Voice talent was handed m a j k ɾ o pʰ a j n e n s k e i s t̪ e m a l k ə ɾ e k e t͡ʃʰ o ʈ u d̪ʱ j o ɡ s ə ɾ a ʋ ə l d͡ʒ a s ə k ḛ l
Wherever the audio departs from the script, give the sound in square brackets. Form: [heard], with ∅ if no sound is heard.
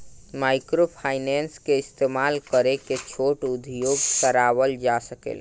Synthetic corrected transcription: m a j k ɾ o pʰ a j n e n s k e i s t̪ e m a l k ə ɾ e k e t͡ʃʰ o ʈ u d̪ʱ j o ɡ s ə ɾ a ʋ ə l d͡ʒ a s ə k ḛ l